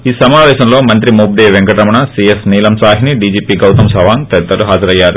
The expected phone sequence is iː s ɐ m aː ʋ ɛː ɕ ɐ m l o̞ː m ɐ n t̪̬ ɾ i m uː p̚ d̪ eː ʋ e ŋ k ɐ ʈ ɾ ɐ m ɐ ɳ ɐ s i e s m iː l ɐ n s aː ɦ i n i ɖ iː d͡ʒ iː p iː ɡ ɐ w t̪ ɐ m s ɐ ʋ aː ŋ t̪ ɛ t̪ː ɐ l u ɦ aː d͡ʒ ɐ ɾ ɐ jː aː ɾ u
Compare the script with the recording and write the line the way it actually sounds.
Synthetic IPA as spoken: iː s ɐ m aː ʋ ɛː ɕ ɐ m l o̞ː m ɐ n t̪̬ ɾ i m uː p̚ d̪ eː ʋ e ŋ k ɐ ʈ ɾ ɐ m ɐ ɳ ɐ s i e s n iː l ɐ m s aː ɦ i n i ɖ iː d͡ʒ iː p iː ɡ ɐ w t̪ ɐ m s ɐ ʋ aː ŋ t̪ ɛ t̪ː ɐ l u ɦ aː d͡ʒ ɐ ɾ ɐ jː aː ɾ u